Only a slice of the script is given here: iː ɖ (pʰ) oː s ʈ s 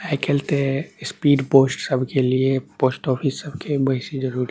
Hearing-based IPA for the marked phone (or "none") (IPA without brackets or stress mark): p